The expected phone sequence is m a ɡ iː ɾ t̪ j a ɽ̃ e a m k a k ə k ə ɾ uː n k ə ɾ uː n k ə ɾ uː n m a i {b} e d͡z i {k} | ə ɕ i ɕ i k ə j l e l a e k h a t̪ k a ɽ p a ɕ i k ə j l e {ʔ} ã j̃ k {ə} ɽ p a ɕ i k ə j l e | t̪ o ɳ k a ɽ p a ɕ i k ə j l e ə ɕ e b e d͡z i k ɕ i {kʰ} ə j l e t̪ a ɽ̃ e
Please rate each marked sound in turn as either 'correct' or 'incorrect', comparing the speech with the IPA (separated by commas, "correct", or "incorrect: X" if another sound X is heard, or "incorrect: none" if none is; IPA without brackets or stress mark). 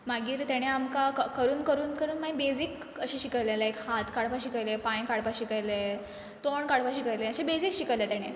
correct, correct, incorrect: p, incorrect: a, incorrect: k